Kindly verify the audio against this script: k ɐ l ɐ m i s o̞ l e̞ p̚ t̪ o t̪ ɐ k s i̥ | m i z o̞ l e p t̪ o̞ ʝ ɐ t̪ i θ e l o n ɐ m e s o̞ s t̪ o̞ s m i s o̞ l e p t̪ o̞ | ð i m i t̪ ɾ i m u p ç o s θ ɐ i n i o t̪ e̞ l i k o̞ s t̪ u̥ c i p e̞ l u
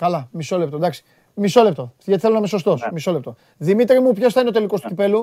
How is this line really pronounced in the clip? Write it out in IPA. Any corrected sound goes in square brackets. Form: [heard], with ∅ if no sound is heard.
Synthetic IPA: k ɐ l ɐ m i s o̞ l e̞ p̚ t̪ o [d̪] ɐ k s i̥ | m i [s] o̞ l e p t̪ o̞ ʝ ɐ t̪ i θ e l o n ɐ m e s o̞ s t̪ o̞ s m i s o̞ l e p t̪ o̞ | ð i m i t̪ ɾ i m u p ç o s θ ɐ i n [e] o t̪ e̞ l i k o̞ s t̪ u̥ c i p e̞ l u